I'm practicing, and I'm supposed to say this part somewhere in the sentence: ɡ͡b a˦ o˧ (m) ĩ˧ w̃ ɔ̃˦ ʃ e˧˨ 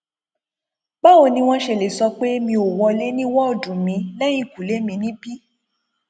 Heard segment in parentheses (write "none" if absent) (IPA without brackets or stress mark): n